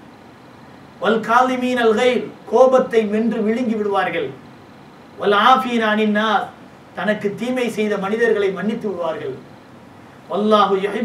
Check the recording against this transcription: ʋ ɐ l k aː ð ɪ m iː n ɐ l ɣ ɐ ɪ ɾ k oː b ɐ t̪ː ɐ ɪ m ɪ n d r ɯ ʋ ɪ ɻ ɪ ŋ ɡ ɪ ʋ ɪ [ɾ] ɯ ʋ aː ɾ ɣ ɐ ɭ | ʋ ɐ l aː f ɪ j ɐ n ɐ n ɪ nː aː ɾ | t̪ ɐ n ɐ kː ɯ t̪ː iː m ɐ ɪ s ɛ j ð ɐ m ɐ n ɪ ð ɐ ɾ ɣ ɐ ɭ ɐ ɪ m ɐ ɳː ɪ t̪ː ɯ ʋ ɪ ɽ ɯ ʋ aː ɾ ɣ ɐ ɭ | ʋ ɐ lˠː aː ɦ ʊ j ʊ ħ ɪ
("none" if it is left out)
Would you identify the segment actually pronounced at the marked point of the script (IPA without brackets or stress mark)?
ɽ